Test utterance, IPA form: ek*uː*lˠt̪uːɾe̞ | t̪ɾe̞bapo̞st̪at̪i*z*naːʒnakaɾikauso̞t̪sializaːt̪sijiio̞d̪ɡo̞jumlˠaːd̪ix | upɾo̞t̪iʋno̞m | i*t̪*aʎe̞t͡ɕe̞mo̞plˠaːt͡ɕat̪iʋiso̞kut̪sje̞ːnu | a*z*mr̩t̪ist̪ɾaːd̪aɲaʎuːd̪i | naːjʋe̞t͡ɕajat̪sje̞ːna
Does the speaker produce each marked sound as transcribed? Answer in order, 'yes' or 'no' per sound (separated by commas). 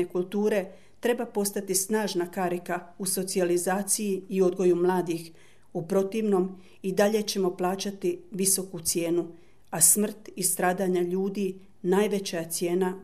no, no, no, no